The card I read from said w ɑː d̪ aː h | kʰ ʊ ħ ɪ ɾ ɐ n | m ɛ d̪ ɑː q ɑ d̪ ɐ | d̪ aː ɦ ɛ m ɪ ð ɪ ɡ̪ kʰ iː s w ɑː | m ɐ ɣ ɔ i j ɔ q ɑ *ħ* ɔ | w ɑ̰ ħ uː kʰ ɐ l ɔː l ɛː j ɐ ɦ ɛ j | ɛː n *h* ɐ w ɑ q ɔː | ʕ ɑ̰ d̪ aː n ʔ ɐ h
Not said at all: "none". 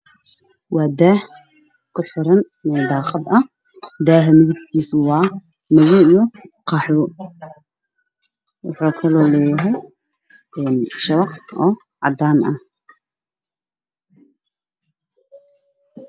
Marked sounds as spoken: ħ, ʃ

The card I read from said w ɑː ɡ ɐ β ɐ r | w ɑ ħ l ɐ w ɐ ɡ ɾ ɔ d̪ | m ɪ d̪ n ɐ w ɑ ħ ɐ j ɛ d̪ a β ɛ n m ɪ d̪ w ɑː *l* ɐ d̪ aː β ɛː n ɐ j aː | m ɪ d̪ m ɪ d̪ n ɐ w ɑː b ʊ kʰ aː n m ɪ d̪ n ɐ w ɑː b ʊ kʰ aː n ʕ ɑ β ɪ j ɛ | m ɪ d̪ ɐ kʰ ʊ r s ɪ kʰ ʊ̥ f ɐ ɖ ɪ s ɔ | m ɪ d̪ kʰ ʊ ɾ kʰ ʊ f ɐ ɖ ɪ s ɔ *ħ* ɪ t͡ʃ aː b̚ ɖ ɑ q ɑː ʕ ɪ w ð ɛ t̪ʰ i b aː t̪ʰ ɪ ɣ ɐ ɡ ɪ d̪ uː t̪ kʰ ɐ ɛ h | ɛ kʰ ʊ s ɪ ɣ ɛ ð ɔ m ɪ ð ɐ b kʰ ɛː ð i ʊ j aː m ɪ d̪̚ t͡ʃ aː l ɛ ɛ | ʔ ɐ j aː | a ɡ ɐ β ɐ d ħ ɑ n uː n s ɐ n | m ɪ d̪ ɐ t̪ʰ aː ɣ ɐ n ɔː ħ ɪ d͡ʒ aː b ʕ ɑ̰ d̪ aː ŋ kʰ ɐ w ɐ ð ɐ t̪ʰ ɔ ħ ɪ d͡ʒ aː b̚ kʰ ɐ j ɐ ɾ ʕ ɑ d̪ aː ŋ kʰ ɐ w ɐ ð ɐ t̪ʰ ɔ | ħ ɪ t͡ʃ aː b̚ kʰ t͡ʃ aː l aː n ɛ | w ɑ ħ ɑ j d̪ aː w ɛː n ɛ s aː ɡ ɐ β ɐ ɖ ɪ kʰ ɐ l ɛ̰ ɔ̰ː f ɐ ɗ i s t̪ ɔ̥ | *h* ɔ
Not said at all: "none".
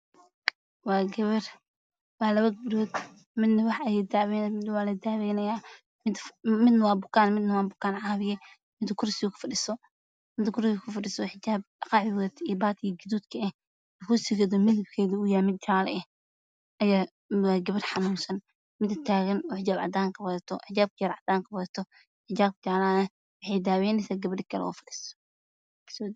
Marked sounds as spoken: l, ħ, s

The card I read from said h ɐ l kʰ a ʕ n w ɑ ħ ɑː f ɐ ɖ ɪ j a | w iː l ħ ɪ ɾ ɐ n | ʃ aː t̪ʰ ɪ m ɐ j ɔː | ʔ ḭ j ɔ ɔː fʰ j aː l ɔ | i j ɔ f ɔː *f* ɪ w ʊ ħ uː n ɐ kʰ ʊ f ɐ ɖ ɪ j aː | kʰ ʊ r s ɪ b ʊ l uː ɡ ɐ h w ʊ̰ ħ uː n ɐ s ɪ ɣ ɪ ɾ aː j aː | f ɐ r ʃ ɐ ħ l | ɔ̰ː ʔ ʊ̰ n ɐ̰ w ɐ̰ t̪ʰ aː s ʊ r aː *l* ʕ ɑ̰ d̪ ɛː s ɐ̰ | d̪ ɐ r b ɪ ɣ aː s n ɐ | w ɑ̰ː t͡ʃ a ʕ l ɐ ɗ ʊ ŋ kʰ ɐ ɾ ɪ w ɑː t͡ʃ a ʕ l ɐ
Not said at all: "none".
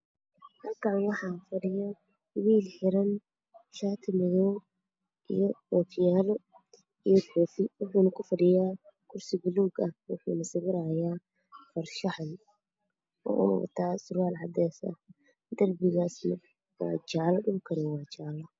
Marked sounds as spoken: f, l

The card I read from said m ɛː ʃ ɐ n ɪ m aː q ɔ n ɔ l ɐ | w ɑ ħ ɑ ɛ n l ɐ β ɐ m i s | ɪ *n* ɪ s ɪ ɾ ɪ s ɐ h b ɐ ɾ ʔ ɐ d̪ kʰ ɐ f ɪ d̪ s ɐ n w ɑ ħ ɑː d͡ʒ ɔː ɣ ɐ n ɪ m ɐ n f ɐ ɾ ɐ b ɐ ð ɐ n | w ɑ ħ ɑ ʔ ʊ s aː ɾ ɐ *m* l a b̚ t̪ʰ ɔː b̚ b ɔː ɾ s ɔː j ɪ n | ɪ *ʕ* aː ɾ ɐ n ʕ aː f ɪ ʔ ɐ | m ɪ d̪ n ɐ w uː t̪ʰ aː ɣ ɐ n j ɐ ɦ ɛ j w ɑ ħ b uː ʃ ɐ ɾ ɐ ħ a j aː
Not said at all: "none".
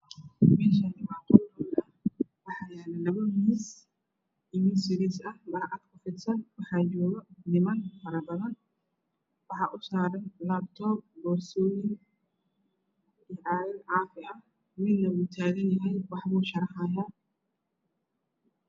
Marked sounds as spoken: m, n, ʕ

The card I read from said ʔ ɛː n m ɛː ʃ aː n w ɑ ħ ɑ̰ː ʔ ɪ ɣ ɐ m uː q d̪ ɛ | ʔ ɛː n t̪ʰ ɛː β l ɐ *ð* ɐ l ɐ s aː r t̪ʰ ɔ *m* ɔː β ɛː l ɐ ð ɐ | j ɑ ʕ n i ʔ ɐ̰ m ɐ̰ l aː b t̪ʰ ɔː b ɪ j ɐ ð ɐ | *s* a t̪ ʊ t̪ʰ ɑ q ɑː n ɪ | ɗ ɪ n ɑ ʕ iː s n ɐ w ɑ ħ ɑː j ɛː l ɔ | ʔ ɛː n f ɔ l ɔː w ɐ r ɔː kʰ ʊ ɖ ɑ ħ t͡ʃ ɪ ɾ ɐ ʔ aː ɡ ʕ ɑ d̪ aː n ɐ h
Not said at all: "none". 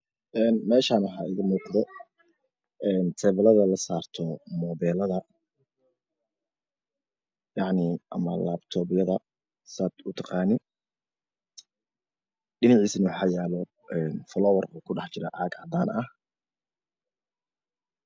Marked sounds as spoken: ð, m, s

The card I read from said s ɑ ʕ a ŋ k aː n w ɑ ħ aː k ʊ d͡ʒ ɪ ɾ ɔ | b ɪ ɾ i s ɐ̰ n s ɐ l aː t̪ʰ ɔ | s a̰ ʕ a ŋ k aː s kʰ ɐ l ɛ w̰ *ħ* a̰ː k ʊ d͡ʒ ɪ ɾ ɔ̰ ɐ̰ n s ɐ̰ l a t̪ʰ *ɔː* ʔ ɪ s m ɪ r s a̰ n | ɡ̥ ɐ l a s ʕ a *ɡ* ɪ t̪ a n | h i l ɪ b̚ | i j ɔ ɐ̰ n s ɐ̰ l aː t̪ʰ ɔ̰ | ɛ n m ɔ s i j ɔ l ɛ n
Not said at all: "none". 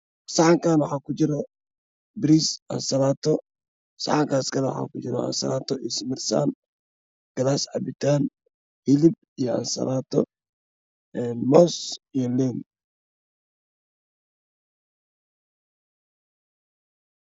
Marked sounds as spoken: ħ, ɔ, b

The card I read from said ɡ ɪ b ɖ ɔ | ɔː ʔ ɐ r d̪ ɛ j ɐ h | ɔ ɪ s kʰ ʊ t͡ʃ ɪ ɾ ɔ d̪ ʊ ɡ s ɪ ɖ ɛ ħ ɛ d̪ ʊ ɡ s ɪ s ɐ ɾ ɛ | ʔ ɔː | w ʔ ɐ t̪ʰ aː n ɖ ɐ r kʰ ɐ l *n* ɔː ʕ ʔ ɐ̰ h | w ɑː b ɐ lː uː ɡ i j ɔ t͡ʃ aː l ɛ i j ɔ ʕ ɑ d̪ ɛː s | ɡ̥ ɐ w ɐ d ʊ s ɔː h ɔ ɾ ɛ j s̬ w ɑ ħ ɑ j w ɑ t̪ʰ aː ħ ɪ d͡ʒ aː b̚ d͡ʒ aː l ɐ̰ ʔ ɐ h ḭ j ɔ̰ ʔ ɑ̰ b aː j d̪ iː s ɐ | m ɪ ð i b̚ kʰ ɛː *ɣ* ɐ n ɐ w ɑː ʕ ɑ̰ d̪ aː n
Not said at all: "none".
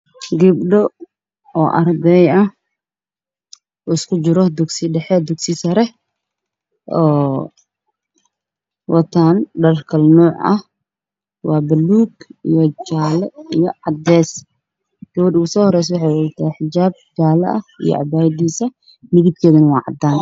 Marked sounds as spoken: n, ð

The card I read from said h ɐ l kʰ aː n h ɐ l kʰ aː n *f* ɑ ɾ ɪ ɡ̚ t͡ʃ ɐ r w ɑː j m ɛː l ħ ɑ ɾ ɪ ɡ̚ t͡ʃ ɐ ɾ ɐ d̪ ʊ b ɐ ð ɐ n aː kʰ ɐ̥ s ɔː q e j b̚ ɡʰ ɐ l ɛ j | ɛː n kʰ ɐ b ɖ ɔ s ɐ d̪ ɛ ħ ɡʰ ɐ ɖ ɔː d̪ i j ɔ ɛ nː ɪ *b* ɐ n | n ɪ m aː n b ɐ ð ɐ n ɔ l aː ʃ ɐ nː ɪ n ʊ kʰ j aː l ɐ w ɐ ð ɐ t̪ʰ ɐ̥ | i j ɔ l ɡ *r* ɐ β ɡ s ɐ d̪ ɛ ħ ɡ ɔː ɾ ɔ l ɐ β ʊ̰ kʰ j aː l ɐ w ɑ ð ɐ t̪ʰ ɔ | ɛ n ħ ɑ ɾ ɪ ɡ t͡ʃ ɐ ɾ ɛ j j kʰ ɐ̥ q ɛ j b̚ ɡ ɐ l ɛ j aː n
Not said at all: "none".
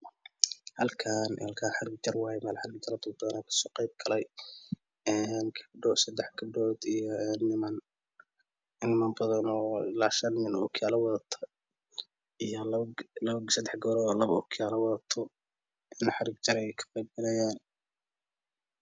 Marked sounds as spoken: ħ, m, l

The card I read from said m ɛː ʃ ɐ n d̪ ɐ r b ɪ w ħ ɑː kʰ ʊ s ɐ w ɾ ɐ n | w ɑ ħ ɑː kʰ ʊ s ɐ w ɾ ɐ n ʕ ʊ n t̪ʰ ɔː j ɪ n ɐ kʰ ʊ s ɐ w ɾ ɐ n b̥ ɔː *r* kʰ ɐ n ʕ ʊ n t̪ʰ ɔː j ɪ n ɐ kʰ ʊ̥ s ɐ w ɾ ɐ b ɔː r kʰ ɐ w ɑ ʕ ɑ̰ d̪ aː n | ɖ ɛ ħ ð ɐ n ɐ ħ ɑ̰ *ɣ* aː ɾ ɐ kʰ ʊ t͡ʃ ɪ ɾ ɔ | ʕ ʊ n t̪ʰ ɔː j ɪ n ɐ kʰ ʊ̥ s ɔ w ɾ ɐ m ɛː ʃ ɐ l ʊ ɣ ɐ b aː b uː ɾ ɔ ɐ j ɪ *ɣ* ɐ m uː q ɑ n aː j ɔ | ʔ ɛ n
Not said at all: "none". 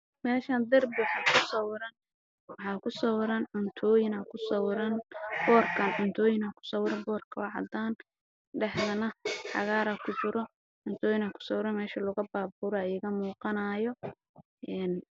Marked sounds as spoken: r, ɣ, ɣ

